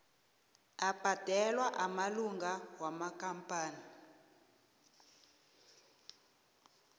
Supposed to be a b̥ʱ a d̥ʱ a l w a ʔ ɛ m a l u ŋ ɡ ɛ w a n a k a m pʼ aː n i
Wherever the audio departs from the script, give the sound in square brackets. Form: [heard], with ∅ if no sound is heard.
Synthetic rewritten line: a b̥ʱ a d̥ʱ [ɛ] l w a ʔ [a] m a l u ŋ ɡ [a] w a [m] a k a m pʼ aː n i